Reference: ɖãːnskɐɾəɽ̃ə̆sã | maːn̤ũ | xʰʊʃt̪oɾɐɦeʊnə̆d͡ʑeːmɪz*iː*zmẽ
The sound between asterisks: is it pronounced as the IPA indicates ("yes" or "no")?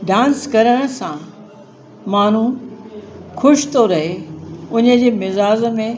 no